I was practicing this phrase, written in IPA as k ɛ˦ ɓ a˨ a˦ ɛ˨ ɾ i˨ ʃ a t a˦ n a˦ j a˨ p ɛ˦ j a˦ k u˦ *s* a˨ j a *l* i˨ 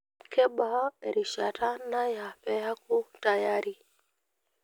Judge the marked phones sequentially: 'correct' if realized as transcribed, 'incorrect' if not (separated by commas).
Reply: incorrect, incorrect